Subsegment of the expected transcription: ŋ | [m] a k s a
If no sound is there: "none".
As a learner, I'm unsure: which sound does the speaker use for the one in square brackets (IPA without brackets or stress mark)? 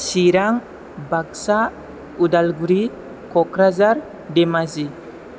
b